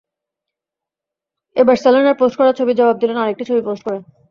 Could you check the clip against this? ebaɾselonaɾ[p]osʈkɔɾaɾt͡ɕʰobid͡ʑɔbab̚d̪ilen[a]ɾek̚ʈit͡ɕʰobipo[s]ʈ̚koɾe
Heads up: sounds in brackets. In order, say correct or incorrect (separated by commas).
correct, correct, correct